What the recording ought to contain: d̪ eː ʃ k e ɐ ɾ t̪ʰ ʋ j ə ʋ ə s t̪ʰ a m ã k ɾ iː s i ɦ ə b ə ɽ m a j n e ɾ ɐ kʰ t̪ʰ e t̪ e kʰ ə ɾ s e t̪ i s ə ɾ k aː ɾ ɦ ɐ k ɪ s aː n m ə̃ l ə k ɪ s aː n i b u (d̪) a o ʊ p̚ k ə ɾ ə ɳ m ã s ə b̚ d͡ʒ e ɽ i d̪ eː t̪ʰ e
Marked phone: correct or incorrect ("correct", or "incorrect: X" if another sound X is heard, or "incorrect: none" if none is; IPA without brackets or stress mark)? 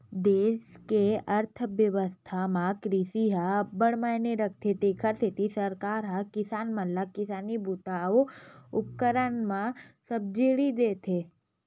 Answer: incorrect: t̪